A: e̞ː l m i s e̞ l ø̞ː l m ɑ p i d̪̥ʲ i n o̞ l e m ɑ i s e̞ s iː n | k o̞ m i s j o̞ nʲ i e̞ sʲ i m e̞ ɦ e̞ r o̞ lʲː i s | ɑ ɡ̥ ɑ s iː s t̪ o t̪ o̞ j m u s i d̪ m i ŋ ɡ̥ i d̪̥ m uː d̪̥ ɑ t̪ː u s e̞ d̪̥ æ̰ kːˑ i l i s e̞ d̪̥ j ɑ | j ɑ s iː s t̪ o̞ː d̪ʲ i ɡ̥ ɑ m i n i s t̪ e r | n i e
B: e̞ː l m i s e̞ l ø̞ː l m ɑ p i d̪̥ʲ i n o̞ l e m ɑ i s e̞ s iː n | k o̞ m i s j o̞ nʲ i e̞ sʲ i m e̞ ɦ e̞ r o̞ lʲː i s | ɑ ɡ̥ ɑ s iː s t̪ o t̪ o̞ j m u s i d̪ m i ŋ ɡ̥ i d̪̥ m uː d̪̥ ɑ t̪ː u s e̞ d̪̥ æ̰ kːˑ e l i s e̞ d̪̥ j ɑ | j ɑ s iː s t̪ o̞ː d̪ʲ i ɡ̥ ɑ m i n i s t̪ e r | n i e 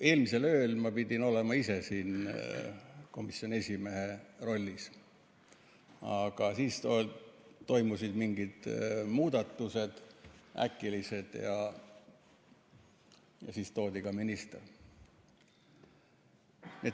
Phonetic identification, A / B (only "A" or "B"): A